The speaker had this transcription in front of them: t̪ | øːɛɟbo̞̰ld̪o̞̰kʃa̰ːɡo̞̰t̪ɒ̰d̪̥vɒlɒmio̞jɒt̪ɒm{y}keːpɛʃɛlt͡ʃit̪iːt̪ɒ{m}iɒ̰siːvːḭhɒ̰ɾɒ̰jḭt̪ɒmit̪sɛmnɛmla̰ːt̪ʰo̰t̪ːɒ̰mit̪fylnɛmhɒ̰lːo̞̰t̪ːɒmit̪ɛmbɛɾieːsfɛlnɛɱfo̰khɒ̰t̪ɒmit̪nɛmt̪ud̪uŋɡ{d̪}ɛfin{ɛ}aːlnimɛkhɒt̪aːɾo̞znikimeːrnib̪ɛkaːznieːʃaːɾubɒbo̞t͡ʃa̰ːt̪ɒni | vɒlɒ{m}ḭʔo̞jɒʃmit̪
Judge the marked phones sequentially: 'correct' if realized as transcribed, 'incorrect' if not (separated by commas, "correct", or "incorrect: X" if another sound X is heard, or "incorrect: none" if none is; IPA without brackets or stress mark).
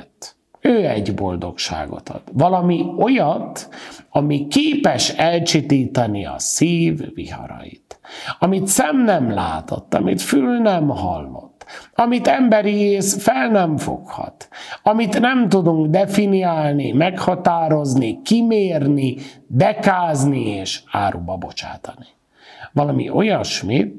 incorrect: i, incorrect: n, correct, incorrect: i, correct